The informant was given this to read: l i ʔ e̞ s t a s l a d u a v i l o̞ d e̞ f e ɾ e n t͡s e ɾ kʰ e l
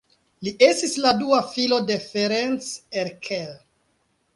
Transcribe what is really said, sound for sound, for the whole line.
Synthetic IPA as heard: l i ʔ e̞ s t i s l a d u a f i l o̞ d e̞ f e ɾ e n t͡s e ɾ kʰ e l